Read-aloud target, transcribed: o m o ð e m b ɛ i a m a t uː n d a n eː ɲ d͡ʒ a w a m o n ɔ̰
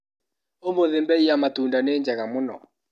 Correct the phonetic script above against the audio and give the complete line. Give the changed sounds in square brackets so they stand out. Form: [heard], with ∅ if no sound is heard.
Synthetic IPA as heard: o m o ð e m b ɛ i a m a t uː n d a n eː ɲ d͡ʒ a [ɣ] a m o n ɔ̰